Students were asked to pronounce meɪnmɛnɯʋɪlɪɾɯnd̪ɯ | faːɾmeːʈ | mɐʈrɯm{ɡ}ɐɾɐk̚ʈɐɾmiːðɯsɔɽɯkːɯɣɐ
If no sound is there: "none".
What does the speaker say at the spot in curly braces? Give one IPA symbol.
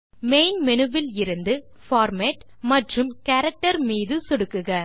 k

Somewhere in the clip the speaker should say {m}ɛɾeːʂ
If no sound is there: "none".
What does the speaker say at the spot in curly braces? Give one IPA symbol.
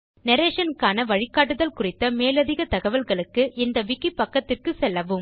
n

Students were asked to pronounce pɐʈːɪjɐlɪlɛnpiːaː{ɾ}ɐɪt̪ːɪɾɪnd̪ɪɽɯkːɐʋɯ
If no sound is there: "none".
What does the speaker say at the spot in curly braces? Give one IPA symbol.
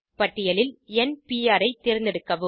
ɾ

